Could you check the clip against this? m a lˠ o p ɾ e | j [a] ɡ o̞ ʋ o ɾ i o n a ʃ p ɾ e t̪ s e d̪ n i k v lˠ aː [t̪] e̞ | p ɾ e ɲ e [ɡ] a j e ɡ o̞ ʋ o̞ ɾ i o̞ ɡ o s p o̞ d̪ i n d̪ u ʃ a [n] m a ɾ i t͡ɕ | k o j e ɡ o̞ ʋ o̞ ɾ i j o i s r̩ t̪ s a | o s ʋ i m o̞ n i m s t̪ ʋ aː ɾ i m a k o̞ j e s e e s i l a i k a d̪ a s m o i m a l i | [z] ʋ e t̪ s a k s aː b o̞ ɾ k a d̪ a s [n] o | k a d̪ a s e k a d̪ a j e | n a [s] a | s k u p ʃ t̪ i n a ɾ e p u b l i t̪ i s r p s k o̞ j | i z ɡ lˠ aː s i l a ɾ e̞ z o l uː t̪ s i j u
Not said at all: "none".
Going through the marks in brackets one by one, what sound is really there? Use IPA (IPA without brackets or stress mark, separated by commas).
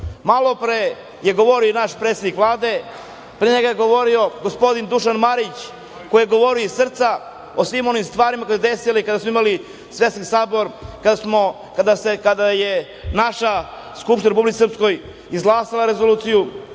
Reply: e, d̪, ɡ, n, s, m, ʃ